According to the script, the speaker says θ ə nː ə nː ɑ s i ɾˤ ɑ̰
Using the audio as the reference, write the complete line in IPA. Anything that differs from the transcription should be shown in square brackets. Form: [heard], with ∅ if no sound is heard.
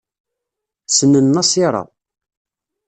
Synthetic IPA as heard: [s] ə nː ə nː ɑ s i ɾˤ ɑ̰